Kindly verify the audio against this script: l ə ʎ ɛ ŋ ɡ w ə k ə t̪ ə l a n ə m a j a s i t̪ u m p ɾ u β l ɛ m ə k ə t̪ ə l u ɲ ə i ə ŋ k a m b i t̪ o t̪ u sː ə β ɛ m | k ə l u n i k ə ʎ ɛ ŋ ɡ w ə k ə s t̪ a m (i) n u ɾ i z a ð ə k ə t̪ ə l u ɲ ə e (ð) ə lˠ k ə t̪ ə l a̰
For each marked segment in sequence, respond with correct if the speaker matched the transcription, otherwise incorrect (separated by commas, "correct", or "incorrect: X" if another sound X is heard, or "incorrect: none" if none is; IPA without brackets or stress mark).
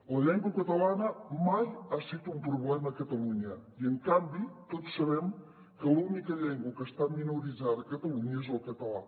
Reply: correct, incorrect: z